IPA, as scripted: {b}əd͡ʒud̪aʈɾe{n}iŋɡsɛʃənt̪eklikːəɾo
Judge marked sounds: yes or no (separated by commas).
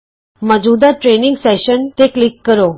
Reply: no, yes